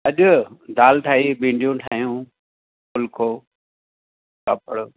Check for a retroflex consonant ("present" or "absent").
present